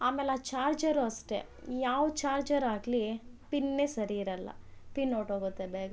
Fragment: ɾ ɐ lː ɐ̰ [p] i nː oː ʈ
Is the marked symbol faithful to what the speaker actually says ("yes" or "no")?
yes